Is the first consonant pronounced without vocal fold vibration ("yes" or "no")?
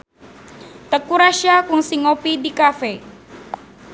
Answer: yes